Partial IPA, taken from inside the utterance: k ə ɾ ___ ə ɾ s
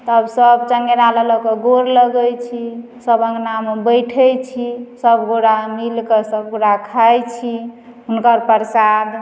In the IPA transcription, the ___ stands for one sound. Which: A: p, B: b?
A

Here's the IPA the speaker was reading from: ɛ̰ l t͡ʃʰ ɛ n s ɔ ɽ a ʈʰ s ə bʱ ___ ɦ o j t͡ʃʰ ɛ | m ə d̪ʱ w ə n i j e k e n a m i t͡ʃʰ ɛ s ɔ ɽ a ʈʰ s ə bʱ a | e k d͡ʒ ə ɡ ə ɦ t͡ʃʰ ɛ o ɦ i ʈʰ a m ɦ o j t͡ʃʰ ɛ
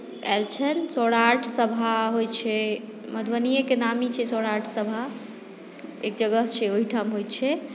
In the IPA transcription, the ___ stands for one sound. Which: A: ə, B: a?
B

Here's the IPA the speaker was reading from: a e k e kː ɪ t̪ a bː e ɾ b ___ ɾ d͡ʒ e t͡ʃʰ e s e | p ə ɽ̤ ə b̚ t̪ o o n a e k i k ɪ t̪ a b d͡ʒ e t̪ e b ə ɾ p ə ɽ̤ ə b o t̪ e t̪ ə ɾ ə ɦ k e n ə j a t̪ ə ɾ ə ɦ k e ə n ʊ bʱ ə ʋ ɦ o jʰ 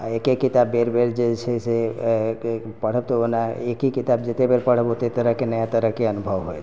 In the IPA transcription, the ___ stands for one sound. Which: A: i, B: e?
B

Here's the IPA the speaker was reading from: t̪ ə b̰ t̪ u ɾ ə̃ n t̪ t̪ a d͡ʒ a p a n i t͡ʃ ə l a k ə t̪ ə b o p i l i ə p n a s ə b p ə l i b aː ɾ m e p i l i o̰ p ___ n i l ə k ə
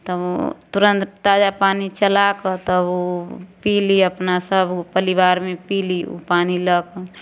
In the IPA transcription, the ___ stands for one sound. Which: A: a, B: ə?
A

